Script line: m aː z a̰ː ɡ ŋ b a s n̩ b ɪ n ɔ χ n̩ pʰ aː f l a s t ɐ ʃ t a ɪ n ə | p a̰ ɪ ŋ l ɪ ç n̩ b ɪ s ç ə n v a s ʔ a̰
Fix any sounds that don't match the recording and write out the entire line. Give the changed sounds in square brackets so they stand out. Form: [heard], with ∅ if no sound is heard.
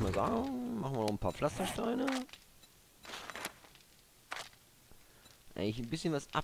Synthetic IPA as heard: m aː z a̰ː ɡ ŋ [m] a [χ] n̩ [v] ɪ n ɔ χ n̩ pʰ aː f l a s t ɐ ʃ t a ɪ n ə | [ʔ] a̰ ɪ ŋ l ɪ ç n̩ b ɪ s ç ə n v a s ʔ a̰